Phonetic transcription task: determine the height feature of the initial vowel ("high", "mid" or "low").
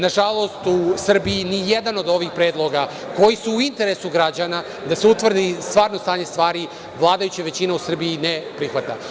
low